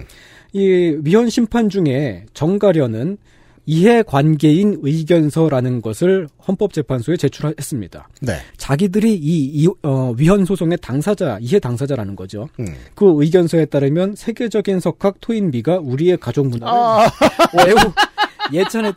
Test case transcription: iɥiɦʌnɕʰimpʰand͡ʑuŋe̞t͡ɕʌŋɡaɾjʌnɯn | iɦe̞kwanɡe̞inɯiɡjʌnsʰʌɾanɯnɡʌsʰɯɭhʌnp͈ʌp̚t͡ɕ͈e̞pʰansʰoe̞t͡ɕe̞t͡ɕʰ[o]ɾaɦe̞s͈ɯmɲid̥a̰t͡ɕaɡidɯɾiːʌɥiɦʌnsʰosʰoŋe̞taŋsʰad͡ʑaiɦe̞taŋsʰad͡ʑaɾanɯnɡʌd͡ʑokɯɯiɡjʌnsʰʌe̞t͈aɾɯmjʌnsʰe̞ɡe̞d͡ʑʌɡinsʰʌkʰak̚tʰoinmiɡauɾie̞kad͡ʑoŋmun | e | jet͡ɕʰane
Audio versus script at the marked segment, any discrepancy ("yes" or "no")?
yes